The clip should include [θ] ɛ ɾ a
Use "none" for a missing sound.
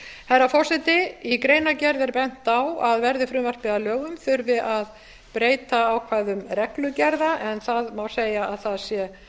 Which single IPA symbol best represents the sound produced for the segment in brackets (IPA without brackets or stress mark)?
h